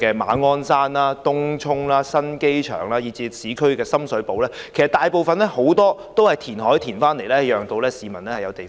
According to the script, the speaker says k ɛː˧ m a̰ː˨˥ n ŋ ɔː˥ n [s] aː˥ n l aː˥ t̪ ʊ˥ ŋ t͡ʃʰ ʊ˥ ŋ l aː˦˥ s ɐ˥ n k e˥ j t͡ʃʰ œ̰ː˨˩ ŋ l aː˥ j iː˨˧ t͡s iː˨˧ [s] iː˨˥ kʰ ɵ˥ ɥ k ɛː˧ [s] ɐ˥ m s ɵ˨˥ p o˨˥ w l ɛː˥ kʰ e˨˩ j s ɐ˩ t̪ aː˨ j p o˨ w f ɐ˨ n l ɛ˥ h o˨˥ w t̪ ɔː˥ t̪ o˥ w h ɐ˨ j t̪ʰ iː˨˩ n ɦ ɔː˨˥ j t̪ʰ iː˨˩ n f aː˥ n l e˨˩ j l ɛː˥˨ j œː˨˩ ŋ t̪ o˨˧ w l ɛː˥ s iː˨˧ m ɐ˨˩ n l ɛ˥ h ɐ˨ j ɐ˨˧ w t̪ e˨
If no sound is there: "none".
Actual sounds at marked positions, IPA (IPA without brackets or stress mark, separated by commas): s, s, s